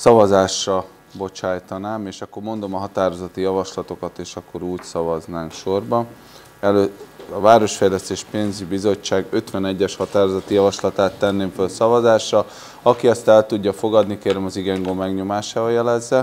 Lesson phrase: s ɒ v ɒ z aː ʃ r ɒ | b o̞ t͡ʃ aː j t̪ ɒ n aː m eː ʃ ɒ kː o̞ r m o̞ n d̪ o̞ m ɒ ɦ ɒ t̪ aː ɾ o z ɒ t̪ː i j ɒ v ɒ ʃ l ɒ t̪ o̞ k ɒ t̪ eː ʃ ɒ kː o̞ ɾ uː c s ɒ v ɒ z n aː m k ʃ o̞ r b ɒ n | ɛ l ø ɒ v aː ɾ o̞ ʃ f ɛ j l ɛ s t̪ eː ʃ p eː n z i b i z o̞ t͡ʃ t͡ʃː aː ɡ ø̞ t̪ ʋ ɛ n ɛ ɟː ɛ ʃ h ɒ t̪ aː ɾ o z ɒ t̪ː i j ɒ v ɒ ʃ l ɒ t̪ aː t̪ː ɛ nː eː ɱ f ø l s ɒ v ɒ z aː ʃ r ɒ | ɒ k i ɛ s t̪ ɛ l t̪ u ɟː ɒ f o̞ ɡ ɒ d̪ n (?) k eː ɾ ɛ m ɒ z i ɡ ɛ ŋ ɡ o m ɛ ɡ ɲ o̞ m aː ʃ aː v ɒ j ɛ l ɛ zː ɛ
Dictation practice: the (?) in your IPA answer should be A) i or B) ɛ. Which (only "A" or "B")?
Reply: A